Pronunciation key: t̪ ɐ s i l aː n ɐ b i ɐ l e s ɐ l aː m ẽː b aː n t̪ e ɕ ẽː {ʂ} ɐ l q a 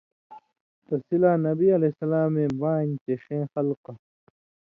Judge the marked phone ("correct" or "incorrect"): incorrect